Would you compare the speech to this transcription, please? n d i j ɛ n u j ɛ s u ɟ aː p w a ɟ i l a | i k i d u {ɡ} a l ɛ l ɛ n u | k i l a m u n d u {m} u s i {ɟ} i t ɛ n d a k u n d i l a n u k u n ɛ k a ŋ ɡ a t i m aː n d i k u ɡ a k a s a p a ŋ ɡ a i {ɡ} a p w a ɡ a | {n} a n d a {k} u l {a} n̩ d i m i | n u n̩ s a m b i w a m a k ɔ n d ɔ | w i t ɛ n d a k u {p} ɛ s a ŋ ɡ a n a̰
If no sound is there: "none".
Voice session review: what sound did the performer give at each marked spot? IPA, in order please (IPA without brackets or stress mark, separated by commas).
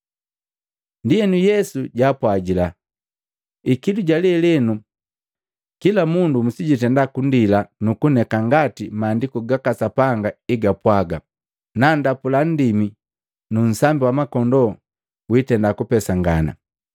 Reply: ɟ, m, ɟ, ɡ, n, p, a, p